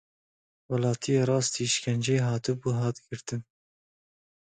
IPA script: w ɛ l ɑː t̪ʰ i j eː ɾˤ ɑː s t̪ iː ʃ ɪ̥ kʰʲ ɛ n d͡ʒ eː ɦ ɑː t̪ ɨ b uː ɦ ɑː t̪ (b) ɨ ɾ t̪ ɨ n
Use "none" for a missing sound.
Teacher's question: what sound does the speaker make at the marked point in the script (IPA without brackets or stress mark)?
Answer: ɡ